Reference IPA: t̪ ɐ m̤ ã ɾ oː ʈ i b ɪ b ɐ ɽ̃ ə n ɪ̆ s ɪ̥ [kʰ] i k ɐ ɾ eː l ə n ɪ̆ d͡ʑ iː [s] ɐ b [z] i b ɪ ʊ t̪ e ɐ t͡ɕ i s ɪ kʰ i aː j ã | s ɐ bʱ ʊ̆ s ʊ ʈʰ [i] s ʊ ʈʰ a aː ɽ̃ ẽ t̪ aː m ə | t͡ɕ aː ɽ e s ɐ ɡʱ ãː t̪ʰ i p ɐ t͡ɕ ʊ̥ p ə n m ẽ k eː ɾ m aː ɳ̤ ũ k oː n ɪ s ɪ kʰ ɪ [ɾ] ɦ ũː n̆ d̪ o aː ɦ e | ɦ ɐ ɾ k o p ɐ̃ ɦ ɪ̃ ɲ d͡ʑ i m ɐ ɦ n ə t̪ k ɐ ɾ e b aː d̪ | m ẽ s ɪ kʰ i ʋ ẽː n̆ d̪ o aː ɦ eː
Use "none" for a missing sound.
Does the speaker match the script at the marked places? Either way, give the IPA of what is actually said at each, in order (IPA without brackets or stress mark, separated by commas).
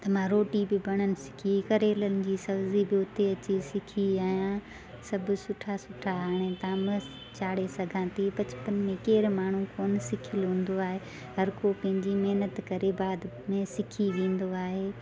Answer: kʰ, s, z, a, l